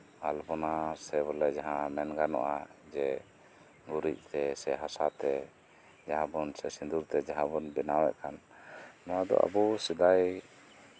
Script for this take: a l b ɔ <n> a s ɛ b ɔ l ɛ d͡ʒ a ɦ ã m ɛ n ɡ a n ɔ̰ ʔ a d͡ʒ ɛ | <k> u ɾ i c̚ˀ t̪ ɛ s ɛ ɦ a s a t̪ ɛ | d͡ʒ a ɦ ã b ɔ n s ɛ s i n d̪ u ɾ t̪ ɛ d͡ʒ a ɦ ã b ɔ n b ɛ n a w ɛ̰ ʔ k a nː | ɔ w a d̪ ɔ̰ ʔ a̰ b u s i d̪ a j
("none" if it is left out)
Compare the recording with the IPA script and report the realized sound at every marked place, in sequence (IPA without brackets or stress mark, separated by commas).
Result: n, ɡ